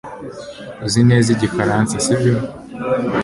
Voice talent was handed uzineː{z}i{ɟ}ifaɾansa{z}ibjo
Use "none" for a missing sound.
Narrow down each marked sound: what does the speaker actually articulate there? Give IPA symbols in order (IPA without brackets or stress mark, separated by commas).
z, ɟ, s